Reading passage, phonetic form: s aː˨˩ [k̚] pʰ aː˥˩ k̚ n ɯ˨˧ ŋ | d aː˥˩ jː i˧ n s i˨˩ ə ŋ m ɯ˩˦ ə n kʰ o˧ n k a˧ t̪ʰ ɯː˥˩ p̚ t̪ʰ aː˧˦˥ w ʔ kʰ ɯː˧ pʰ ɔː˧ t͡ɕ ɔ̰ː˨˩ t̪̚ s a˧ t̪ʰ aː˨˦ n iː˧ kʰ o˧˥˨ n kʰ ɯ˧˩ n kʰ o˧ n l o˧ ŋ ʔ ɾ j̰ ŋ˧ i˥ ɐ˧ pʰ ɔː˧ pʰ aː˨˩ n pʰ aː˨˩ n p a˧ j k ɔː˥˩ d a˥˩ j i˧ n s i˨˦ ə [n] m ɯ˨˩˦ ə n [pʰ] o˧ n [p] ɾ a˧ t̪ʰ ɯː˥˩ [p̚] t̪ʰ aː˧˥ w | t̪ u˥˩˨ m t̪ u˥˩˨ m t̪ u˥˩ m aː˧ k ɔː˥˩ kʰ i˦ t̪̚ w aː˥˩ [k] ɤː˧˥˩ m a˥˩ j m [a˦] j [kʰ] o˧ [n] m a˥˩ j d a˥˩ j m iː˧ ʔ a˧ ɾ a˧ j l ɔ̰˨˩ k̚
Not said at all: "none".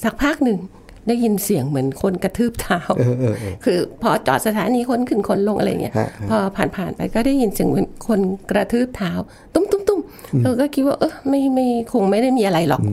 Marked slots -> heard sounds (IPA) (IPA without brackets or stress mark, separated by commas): k̚, ŋ, kʰ, k, p̚, ʔ, a˥˩, kʰ, ŋ